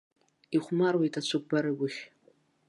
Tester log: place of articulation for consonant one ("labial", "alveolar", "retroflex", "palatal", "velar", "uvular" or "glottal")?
uvular